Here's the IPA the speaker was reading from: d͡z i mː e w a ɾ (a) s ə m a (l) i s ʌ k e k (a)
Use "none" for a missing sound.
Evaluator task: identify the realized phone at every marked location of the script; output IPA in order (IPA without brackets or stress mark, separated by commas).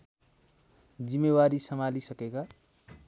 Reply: i, l, a